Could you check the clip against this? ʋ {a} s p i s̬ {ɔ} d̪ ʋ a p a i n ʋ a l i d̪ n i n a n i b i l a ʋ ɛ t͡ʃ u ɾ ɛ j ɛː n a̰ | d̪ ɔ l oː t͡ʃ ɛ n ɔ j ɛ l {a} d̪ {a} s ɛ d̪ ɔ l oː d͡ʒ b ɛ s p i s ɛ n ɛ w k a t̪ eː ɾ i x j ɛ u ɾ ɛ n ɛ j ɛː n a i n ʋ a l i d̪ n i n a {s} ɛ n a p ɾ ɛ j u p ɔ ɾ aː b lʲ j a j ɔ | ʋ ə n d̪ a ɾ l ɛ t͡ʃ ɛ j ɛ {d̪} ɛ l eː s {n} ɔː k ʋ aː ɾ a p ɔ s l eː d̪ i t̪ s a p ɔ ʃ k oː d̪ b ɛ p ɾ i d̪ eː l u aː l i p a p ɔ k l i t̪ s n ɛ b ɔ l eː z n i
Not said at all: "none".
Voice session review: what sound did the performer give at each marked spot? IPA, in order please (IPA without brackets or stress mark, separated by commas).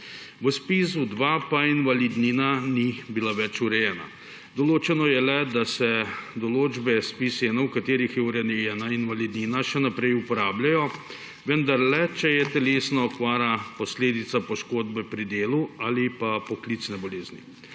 ə, u, ɛ, a, ʃ, t̪, n